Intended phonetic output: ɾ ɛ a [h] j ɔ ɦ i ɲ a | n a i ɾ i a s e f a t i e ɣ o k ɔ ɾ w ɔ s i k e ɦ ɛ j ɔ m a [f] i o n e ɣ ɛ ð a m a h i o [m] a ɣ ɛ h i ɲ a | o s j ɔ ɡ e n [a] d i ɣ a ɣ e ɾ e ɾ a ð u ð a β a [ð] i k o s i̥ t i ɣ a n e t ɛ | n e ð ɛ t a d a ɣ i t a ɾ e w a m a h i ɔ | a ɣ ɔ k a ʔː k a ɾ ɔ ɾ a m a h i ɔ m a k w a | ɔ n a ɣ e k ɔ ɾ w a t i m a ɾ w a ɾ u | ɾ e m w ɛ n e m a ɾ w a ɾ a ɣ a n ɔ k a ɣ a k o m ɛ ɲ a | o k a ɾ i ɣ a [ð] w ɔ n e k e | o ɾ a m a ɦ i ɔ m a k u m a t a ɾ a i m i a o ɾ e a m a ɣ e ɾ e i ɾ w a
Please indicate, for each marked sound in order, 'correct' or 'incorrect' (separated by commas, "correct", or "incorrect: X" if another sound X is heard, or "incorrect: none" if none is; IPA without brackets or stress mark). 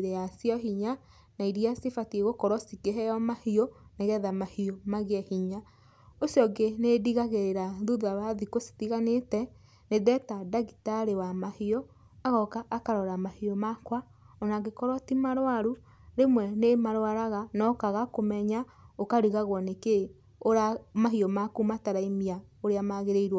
incorrect: s, incorrect: h, correct, incorrect: e, correct, incorrect: ɣ